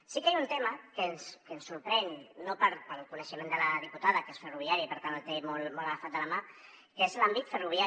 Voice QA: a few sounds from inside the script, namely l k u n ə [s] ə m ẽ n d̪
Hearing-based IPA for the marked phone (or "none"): ʃ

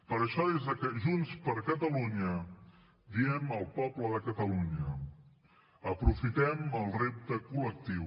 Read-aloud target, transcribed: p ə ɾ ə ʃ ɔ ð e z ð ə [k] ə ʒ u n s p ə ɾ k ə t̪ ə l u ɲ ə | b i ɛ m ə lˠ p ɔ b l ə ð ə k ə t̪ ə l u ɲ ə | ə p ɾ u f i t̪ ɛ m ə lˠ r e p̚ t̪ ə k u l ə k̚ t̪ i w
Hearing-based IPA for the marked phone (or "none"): k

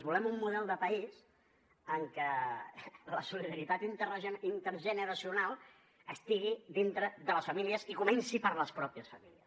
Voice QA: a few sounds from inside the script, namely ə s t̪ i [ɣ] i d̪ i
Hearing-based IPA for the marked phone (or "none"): ɣ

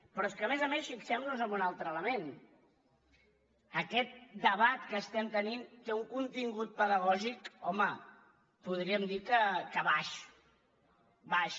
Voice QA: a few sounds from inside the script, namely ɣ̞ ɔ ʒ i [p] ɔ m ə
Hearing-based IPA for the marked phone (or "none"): k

